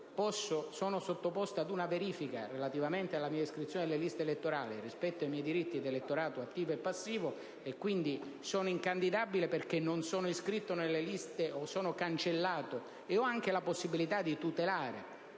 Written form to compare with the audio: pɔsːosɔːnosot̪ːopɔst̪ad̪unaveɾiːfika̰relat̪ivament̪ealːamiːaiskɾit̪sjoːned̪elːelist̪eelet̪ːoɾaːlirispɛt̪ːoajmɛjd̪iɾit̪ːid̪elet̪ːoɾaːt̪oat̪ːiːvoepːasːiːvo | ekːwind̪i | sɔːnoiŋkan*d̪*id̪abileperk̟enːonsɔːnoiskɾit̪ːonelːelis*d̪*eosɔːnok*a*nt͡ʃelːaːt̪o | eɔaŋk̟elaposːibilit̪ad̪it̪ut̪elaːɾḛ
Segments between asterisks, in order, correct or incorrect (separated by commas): correct, incorrect, correct